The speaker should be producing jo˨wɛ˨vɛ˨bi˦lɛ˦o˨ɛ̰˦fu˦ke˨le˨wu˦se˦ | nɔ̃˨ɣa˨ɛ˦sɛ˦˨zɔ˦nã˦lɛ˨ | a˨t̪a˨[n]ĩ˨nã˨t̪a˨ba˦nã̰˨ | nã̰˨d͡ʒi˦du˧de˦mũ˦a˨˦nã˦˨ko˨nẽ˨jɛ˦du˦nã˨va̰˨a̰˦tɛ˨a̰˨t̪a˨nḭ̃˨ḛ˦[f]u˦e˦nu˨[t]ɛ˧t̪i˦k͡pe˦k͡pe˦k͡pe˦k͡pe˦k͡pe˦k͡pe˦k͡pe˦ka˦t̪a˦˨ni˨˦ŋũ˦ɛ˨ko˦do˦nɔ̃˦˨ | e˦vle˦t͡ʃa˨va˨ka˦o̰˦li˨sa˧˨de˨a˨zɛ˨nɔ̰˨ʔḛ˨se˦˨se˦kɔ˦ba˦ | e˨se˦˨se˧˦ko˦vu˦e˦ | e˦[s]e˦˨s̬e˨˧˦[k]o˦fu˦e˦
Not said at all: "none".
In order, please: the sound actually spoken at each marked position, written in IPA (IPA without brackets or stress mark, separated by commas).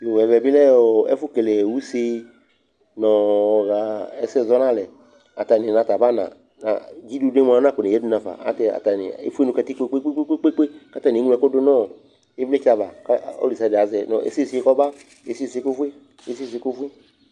n, f, k, s, k